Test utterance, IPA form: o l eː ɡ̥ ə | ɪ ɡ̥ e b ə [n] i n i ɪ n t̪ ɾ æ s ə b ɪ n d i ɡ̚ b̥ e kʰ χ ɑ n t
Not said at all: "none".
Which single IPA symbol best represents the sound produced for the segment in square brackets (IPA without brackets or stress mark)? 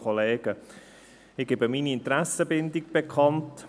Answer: m